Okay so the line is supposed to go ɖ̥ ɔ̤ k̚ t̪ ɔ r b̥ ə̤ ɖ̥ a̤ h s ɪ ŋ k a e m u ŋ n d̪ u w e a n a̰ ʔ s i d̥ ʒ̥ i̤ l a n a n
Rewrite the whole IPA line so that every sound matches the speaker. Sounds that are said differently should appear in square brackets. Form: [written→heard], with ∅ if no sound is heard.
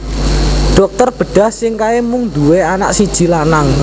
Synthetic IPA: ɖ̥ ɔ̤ k̚ t̪ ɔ r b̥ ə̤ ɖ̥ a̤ h s ɪ ŋ k a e m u ŋ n d̪ u w e a n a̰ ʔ s i d̥ ʒ̥ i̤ l a n a [n→ŋ]